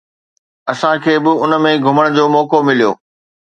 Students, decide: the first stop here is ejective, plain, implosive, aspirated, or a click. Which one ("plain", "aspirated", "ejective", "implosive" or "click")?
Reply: aspirated